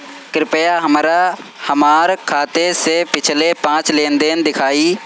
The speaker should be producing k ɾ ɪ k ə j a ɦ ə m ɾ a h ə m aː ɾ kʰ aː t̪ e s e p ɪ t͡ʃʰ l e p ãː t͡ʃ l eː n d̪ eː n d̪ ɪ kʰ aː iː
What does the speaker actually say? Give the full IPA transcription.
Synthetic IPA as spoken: k ɾ ɪ p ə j a ɦ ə m ɾ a h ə m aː ɾ kʰ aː t̪ e s e p ɪ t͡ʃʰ l e p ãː t͡ʃ l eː n d̪ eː n d̪ ɪ kʰ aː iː